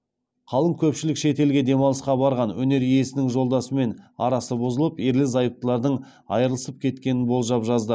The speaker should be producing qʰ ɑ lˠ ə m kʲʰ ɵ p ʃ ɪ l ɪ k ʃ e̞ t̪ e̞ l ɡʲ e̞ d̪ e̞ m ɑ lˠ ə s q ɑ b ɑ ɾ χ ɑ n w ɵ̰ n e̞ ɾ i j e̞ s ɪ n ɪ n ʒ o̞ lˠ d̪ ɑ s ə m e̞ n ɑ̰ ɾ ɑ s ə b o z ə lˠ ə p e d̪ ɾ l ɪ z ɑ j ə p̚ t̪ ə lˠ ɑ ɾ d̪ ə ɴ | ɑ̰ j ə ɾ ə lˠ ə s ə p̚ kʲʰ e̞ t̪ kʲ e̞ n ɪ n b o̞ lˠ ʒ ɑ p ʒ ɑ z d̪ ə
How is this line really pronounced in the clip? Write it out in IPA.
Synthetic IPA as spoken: qʰ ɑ lˠ ə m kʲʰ ɵ p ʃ ɪ l ɪ k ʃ e̞ t̪ e̞ l ɡʲ e̞ d̪ e̞ m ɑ lˠ ə s q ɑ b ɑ ɾ ʁ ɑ n w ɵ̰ n e̞ ɾ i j e̞ s ɪ n ɪ ŋ ʒ o̞ lˠ d̪ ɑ s ə m e̞ n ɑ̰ ɾ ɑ s ə b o z ə lˠ ə p e ɾ l ɪ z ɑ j ə p̚ t̪ ə lˠ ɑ ɾ d̪ ə ɴ | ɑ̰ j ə ɾ ə lˠ ə s ə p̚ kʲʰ e̞ t̪ kʲ e̞ n ɪ n b o̞ lˠ ʒ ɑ p ʒ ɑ z d̪ ə